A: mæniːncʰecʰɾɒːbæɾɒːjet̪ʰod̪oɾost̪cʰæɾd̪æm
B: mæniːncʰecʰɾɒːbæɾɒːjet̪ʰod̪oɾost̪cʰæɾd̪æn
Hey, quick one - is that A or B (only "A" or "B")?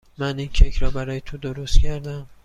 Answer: A